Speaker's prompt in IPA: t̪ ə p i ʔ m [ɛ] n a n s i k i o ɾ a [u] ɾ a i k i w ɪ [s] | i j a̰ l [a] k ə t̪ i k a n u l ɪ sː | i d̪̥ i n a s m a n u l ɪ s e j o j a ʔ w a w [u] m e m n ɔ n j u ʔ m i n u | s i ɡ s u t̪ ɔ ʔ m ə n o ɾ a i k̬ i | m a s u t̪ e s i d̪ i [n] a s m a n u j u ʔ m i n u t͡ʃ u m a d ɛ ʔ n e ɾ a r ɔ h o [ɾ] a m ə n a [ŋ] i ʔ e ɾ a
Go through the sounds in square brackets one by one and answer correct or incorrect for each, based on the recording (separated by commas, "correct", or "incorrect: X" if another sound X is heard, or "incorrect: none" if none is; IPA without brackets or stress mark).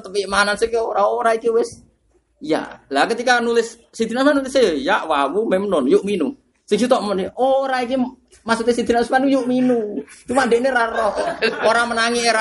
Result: incorrect: a, incorrect: o, correct, correct, correct, correct, correct, correct